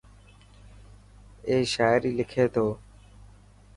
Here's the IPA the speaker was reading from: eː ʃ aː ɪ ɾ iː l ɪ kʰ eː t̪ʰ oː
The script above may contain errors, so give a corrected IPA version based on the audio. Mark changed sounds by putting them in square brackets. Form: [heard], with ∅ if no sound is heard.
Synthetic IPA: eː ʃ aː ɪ ɾ iː l ɪ kʰ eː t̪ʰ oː